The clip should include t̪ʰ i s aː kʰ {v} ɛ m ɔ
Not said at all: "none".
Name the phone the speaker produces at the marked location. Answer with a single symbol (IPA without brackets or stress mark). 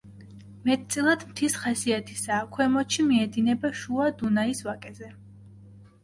w